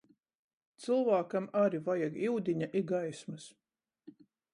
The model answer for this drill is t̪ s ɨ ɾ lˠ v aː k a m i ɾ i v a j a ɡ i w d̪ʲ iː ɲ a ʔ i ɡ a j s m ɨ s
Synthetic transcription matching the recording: t̪ s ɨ lˠ v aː k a m a ɾ i v a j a ɡ i w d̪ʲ i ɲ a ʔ i ɡ a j s m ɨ s